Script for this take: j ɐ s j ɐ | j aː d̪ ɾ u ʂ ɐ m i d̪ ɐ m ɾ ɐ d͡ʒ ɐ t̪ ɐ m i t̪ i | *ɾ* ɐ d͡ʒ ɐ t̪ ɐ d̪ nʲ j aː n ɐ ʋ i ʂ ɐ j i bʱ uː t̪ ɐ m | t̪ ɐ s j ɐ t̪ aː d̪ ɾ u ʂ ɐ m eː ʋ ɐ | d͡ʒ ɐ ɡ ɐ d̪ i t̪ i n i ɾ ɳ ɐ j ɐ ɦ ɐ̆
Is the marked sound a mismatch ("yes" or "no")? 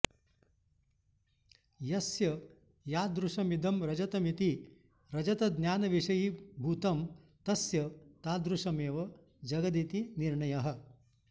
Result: no